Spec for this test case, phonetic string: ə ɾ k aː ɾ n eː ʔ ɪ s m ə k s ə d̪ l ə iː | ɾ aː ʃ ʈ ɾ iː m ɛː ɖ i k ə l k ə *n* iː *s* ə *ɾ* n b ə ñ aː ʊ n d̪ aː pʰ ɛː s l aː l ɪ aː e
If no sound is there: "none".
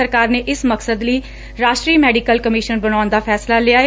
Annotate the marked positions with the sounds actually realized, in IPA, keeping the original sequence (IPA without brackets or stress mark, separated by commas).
m, ʃ, none